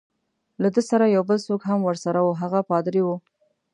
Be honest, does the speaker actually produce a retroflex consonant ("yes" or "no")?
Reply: no